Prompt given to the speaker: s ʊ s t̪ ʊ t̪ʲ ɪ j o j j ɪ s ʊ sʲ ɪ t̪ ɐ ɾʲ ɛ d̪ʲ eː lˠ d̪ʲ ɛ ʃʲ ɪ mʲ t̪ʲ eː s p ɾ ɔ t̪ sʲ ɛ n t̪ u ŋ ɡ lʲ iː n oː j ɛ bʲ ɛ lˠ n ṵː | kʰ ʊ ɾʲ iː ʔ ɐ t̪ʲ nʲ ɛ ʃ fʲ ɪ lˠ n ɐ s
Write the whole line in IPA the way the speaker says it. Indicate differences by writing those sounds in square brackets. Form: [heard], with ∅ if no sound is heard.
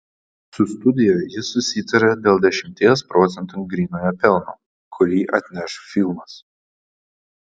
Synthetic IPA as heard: s ʊ s t̪ ʊ [d̪ʲ] ɪ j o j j ɪ s ʊ sʲ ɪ t̪ ɐ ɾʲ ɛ d̪ʲ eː lˠ d̪ʲ ɛ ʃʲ ɪ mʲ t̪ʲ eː s p ɾ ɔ t̪ sʲ ɛ n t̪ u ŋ ɡ [ɾʲ] iː n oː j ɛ [pʲ] ɛ lˠ n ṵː | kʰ ʊ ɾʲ iː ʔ ɐ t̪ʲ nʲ ɛ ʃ fʲ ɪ lˠ [m] ɐ s